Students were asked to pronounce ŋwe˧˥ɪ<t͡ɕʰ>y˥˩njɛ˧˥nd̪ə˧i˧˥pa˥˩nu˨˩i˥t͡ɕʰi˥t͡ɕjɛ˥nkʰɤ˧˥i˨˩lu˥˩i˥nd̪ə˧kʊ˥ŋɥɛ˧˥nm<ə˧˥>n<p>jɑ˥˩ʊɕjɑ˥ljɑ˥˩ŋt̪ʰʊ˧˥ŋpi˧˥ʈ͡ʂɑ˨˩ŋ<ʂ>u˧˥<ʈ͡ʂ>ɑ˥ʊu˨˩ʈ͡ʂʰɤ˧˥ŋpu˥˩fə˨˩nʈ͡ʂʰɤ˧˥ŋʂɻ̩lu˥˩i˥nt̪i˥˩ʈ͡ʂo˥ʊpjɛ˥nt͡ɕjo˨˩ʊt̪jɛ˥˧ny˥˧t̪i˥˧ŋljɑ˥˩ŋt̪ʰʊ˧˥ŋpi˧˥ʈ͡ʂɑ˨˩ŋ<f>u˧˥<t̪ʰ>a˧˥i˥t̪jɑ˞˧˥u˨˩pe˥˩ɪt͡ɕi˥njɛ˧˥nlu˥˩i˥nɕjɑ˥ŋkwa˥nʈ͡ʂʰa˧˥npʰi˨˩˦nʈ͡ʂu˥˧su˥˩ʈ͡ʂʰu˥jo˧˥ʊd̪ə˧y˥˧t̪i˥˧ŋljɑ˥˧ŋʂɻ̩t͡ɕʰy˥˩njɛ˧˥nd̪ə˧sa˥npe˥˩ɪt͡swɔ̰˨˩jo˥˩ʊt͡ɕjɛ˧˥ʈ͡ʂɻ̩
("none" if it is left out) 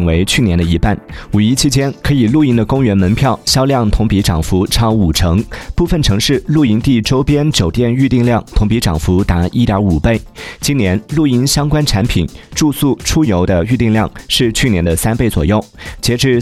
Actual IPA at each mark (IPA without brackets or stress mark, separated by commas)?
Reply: t͡ɕʰ, ə˧˥, pʰ, f, ʈ͡ʂʰ, f, t̪